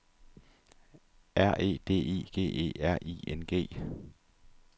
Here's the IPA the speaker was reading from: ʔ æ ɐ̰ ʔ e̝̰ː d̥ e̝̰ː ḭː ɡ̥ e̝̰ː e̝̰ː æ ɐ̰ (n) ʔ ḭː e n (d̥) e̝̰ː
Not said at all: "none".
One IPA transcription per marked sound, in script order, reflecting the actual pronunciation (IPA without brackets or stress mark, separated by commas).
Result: none, ɡ̥